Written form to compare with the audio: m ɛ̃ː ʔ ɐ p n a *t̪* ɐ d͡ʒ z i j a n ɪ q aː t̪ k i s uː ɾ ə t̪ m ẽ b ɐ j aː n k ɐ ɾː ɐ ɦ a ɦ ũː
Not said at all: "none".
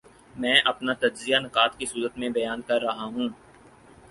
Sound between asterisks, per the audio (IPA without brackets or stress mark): t̪